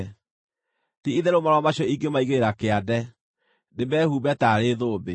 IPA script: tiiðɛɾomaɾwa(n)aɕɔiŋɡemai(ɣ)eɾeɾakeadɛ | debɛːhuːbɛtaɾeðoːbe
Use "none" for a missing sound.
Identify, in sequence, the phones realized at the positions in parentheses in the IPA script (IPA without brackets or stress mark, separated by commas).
m, ɣ